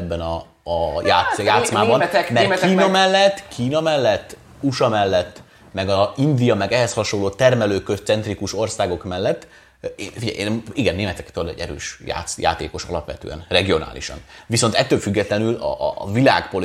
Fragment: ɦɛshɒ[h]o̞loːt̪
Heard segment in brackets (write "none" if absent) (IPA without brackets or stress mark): ʃ